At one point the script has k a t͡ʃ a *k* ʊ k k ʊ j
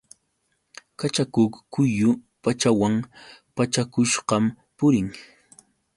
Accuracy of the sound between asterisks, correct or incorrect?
correct